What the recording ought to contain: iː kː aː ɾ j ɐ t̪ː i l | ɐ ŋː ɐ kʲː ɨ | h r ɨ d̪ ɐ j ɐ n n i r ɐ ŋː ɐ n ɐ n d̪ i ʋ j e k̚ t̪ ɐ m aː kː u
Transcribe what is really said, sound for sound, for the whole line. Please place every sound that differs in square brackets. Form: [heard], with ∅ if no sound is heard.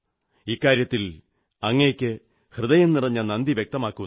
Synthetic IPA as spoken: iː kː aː ɾ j ɐ t̪ː i l | ɐ ŋː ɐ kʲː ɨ | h r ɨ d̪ ɐ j ɐ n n i r ɐ [ɲː] ɐ n ɐ n d̪ i ʋ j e k̚ t̪ ɐ m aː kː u